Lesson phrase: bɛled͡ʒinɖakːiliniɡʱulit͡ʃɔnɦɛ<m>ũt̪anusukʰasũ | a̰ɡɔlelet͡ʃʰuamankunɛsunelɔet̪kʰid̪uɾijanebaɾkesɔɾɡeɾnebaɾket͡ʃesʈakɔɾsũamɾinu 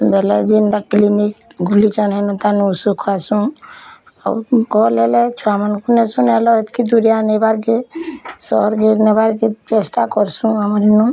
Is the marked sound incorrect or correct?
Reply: incorrect: n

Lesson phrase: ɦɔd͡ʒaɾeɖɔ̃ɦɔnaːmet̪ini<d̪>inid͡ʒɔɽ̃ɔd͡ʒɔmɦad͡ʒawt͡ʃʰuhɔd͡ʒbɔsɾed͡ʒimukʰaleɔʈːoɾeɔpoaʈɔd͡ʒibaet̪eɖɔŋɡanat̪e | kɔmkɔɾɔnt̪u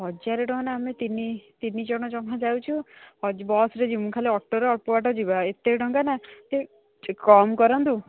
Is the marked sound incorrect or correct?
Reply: incorrect: t̪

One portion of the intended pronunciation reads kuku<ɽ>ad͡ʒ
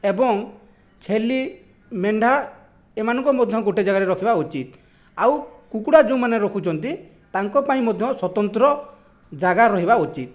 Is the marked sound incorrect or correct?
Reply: correct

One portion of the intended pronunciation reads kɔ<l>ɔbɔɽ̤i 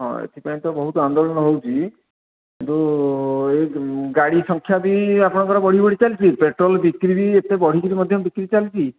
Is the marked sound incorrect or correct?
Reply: incorrect: ɾ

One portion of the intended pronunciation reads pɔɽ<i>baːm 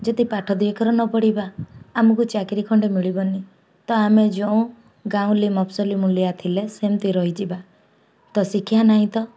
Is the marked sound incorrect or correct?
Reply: correct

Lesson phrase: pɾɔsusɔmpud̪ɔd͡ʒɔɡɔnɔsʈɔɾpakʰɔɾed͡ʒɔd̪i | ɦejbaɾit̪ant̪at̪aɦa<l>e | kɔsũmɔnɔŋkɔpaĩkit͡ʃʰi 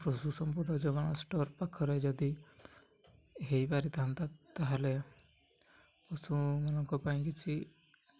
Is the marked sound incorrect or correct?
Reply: correct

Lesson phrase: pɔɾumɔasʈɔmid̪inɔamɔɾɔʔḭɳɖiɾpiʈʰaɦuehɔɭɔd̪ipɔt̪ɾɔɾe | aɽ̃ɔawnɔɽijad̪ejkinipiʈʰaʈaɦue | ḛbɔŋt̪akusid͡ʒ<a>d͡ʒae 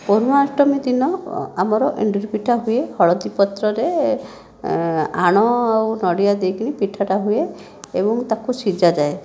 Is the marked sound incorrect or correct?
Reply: correct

